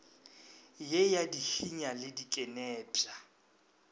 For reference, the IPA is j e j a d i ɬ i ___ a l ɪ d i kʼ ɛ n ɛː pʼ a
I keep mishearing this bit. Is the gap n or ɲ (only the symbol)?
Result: ɲ